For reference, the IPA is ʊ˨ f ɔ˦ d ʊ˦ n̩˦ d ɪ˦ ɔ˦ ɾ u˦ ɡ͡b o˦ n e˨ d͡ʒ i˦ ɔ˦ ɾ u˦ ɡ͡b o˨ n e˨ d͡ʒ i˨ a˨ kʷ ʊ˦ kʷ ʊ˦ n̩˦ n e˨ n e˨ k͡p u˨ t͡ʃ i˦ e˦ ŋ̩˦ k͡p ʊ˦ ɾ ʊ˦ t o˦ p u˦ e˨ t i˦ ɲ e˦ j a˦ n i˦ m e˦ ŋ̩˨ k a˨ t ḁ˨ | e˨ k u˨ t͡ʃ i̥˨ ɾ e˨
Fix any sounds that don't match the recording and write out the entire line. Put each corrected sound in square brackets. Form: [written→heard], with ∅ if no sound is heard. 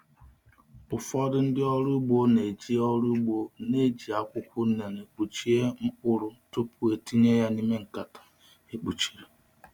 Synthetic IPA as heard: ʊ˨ f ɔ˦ d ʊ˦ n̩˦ d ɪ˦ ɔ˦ ɾ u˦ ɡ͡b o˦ n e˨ d͡ʒ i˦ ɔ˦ ɾ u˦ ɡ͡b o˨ n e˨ d͡ʒ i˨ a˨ kʷ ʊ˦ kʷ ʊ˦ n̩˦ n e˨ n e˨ k͡p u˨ t͡ʃ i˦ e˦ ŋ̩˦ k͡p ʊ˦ ɾ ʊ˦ t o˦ p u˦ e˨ t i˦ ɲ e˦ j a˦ n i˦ m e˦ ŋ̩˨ k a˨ t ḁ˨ | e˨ [k→k͡p] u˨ t͡ʃ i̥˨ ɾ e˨